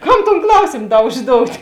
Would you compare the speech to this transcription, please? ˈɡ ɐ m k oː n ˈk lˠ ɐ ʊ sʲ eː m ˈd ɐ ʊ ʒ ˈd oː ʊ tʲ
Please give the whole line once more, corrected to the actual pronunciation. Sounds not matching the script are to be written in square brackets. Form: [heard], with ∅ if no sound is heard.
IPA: [ˈk] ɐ m [t] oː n ˈk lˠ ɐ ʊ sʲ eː m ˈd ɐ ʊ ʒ ˈd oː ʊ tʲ